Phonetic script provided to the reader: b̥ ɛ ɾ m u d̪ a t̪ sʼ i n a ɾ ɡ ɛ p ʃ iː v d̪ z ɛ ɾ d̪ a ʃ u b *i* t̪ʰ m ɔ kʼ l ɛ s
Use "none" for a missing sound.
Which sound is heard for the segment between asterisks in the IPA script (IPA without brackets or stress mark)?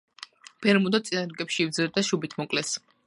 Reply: i